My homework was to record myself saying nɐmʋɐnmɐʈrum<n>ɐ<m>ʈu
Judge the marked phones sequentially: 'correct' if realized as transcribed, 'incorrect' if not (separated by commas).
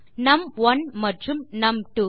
correct, correct